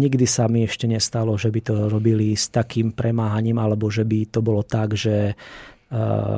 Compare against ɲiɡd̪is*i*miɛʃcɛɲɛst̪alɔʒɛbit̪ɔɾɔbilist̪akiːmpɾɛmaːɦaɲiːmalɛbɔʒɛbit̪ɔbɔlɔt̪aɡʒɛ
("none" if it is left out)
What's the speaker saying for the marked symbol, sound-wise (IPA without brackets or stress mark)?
a